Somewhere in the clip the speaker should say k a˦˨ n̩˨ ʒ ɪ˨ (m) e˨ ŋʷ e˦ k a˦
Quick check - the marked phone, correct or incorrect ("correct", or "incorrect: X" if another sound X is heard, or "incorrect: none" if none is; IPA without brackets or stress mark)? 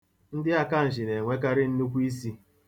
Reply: incorrect: n